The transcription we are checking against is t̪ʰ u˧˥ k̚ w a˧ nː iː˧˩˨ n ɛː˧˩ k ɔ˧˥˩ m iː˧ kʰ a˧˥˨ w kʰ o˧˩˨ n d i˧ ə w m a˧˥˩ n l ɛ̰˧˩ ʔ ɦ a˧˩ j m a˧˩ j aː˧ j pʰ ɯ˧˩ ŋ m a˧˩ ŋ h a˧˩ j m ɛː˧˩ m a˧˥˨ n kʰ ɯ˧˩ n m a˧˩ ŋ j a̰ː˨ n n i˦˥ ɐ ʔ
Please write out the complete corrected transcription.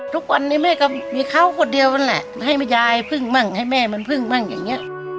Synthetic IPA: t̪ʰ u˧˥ k̚ w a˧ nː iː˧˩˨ m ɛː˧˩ k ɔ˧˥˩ m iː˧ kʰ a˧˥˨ w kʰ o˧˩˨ n d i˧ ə w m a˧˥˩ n l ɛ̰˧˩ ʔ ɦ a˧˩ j m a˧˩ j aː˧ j pʰ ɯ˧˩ ŋ m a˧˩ ŋ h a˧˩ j m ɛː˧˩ m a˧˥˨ n pʰ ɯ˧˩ ŋ m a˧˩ ŋ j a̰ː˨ ŋ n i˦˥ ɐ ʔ